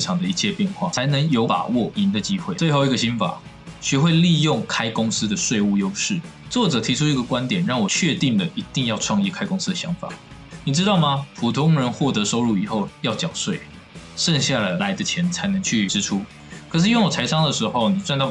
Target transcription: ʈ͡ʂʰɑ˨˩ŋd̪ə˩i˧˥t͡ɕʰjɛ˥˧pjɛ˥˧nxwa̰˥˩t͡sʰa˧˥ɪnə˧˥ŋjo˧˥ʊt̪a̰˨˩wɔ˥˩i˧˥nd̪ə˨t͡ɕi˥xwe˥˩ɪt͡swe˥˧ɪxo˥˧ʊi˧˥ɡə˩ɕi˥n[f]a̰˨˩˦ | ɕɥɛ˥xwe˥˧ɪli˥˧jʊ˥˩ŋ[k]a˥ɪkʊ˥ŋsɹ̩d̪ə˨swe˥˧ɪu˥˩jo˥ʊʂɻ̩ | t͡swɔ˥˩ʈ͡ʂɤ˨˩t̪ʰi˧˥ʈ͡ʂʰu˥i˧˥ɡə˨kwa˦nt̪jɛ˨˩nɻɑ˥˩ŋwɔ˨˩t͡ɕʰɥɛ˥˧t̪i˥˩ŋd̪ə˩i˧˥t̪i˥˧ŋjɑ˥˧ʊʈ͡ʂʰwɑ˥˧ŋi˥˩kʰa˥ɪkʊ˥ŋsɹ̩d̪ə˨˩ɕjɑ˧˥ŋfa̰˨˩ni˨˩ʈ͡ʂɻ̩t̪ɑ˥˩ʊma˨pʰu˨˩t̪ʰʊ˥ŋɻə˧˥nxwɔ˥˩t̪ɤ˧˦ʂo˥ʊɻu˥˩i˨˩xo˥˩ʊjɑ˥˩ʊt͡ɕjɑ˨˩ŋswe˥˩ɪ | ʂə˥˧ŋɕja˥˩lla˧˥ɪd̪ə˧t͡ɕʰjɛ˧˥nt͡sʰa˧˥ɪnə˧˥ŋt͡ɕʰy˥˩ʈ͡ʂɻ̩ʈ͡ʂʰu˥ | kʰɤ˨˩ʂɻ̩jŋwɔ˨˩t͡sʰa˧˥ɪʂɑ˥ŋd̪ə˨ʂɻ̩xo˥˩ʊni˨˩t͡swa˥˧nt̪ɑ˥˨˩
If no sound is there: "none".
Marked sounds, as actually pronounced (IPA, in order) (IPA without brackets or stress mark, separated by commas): f, kʰ